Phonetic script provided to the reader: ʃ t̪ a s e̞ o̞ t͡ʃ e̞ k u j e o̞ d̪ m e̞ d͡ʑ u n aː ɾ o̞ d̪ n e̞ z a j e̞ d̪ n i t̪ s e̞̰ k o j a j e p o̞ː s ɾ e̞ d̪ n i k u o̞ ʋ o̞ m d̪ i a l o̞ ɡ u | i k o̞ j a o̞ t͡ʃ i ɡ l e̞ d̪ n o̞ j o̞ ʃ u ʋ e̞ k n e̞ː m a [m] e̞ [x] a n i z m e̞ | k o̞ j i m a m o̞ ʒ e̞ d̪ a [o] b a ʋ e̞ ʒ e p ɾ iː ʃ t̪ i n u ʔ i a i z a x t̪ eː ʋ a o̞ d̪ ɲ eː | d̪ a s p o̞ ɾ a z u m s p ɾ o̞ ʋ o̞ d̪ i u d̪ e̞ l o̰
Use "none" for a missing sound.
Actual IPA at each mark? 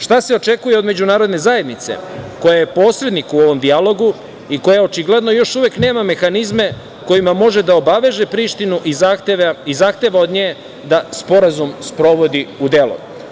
m, x, o

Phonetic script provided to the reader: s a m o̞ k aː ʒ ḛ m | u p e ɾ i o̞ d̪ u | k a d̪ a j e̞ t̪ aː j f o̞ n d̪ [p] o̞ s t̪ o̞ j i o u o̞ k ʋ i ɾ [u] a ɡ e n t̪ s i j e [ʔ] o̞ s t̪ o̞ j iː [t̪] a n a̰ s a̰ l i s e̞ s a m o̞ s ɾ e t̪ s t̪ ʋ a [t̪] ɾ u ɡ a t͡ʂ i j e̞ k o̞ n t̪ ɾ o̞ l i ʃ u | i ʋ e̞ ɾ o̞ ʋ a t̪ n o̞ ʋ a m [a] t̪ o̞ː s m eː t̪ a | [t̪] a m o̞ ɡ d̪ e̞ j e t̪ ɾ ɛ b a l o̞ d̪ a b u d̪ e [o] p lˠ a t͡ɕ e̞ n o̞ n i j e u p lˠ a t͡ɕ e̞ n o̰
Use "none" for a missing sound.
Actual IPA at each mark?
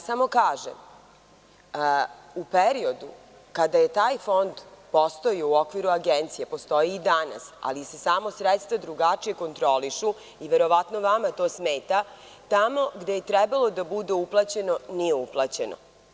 p, u, p, d̪, d̪, a, t̪, u

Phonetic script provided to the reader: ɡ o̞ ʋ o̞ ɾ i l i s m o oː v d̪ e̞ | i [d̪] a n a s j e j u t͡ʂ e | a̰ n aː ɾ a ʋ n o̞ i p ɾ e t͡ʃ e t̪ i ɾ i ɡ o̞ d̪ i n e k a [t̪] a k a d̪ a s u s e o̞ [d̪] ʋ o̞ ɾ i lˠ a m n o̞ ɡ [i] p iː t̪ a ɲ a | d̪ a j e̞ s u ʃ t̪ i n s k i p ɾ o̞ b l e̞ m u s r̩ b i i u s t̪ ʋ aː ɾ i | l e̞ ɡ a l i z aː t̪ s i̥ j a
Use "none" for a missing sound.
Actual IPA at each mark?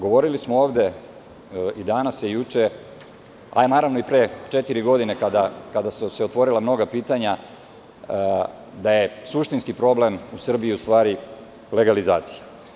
d̪, d̪, t̪, a

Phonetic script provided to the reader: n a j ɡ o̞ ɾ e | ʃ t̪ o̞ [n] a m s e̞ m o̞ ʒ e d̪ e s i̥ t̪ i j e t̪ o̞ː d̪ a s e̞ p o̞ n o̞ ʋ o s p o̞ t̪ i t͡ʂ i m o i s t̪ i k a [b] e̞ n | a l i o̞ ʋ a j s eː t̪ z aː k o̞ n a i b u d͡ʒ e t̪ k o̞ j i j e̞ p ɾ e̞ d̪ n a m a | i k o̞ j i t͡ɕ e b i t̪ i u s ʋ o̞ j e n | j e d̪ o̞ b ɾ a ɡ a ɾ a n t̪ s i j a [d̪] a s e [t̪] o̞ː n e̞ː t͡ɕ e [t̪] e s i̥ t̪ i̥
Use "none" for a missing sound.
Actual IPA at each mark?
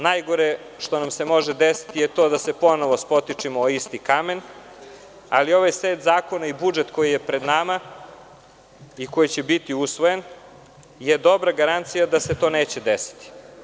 n, m, d̪, t̪, d̪

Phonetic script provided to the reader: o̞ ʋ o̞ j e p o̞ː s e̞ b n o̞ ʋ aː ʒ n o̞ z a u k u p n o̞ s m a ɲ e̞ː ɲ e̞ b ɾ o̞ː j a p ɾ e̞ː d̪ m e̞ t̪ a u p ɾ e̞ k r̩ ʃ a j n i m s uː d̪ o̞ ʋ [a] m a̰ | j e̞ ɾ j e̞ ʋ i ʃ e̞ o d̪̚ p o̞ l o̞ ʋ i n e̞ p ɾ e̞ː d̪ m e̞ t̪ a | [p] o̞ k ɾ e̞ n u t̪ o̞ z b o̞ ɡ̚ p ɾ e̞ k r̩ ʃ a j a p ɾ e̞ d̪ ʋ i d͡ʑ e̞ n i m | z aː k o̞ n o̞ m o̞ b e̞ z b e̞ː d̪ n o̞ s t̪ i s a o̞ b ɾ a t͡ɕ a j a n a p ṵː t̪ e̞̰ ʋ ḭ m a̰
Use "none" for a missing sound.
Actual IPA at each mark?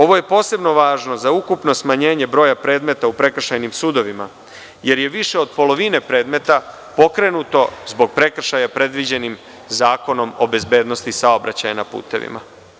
i, p

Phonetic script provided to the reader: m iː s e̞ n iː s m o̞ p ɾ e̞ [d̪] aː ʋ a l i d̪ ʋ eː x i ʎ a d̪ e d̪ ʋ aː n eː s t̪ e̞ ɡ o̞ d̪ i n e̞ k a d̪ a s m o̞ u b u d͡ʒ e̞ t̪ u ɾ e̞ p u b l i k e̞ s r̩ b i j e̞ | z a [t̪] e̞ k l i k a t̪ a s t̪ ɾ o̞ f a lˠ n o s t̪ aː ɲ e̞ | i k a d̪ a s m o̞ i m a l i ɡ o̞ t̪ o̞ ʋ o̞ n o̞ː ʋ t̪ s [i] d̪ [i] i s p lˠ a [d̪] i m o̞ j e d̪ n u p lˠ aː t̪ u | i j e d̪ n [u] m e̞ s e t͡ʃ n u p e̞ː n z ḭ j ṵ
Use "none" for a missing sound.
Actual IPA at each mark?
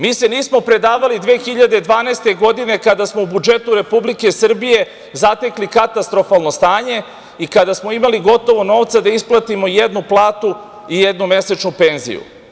d̪, t̪, a, a, t̪, u

